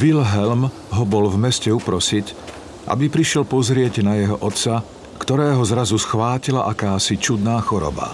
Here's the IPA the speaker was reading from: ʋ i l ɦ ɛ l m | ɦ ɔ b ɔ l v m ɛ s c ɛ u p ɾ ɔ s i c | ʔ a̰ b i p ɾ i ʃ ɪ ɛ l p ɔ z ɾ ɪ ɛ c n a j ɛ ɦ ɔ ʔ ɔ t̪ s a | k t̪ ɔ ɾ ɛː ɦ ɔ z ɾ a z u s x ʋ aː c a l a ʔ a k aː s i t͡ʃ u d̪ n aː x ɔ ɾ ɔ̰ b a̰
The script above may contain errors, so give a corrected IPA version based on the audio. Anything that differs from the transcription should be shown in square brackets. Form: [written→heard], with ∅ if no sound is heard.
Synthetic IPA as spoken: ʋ i l ɦ ɛ l m | ɦ ɔ b ɔ l v m ɛ s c ɛ u p ɾ ɔ s i c | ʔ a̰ b i p ɾ i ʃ ɪ ɛ l p ɔ z ɾ ɪ ɛ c n a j ɛ ɦ ɔ ʔ ɔ t̪ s a | k t̪ ɔ ɾ ɛː ɦ ɔ z ɾ a z u s x ʋ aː c [a→i] l a ʔ a k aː s i t͡ʃ u d̪ n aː x ɔ ɾ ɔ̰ b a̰